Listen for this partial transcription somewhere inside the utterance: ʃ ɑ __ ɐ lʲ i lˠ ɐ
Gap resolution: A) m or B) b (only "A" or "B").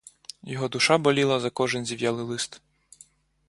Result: B